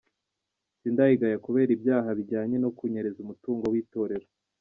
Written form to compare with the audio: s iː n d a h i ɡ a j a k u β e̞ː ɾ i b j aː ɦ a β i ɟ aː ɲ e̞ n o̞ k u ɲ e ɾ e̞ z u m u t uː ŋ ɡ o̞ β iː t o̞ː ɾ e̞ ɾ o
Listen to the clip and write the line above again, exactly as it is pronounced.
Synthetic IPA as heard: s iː n d a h i ɡ a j a k u β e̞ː ɾ i b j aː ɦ a β i ɟ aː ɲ e̞ n o̞ k u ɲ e ɾ e̞ z u m u t uː ŋ ɡ o̞ w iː t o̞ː ɾ e̞ ɾ o